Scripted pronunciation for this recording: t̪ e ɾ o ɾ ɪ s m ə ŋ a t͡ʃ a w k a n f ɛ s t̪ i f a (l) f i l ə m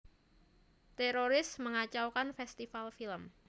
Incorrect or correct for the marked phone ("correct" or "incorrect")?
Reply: correct